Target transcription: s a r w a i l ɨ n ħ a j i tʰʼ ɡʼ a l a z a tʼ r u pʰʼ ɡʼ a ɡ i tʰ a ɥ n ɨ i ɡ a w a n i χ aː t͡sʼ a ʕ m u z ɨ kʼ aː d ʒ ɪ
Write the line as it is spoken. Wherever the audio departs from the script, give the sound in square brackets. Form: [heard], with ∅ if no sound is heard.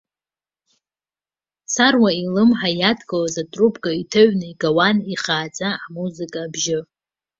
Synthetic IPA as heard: s a r w a i l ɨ [m] ħ a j [a] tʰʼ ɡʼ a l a z a tʼ r u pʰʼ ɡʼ a [∅] i tʰ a ɥ n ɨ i ɡ a w a n i χ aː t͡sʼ a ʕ m u z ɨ kʼ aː [b] ʒ ɪ